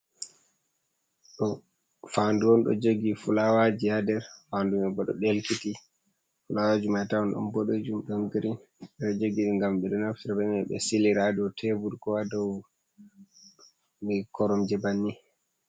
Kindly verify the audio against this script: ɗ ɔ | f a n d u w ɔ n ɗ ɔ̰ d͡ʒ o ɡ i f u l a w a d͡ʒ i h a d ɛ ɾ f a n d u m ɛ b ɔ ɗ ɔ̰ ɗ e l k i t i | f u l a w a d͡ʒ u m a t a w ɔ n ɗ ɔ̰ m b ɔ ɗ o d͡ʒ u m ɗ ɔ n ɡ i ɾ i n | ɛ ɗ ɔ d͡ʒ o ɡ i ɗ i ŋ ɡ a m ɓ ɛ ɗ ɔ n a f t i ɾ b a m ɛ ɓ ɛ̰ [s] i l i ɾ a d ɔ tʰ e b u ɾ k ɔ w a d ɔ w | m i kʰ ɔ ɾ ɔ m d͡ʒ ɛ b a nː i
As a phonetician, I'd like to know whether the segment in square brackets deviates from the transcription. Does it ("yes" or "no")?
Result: no